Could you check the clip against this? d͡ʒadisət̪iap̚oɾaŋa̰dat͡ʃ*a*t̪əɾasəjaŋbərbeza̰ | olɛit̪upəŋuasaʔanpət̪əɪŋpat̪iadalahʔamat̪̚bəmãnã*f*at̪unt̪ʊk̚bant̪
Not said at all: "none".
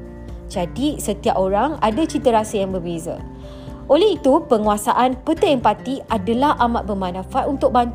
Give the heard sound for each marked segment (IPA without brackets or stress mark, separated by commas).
i, f